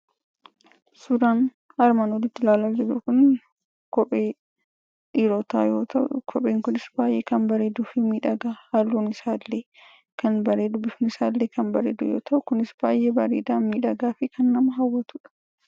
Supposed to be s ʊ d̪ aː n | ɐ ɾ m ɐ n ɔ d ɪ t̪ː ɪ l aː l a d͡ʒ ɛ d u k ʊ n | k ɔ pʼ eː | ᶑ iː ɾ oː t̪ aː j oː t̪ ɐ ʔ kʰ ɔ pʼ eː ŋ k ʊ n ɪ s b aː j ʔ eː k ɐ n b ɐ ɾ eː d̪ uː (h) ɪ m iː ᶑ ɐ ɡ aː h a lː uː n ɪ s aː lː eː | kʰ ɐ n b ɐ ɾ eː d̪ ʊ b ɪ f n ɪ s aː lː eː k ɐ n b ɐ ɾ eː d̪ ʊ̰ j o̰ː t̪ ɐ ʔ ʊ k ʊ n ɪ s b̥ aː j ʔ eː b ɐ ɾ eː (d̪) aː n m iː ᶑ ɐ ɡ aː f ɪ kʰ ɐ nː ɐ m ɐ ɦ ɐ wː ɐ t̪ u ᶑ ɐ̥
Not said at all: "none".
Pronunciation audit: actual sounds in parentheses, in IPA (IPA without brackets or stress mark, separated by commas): f, d̪